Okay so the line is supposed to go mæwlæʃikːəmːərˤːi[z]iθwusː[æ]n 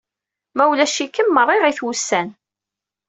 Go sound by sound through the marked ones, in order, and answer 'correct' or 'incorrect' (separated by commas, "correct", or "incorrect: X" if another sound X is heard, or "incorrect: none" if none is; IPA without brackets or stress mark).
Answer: incorrect: ʁ, correct